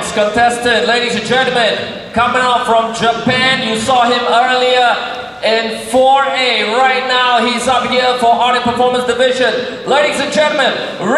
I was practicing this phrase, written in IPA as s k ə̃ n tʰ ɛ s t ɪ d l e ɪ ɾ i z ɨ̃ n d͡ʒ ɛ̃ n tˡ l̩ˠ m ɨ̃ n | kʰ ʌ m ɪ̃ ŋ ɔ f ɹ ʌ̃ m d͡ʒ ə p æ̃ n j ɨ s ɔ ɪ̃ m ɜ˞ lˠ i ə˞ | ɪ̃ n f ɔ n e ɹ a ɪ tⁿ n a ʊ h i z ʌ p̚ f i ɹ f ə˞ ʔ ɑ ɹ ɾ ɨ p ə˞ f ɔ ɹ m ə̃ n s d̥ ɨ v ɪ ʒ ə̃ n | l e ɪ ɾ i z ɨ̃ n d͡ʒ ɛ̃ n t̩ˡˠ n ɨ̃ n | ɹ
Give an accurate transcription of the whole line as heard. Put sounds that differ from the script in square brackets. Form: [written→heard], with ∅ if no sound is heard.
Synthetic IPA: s k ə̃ n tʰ ɛ s t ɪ d l e ɪ ɾ i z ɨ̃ n d͡ʒ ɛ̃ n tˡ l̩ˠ m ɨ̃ n | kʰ ʌ m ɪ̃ ŋ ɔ f ɹ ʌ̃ m d͡ʒ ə p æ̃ n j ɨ s ɔ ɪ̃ m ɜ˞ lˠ i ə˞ | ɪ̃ n f ɔ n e ɹ a ɪ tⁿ n a ʊ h i z ʌ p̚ [f→h] i ɹ f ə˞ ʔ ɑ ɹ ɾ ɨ p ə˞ f ɔ ɹ m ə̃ n s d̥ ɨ v ɪ ʒ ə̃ n | l e ɪ ɾ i z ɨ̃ n d͡ʒ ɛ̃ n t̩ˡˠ [n→m] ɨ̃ n | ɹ